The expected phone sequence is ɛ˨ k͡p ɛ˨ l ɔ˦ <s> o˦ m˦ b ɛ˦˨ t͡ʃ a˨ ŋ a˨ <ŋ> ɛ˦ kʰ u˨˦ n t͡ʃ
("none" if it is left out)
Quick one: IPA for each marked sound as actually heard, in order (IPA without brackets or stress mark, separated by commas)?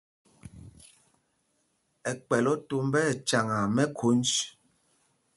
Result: t, m